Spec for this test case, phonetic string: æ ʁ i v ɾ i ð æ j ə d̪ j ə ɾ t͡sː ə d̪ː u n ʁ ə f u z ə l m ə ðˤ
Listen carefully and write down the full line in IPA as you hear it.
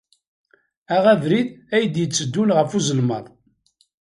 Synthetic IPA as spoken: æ ʁ æ v ɾ i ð æ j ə d̪ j ə t͡sː ə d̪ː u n ʁ ə f u z ə l m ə ðˤ